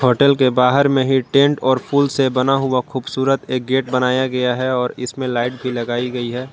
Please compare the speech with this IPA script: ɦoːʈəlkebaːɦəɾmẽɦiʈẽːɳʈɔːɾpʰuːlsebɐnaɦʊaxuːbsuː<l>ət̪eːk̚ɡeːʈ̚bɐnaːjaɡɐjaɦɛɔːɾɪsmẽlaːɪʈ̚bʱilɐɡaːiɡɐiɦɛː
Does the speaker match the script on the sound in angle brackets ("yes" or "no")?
no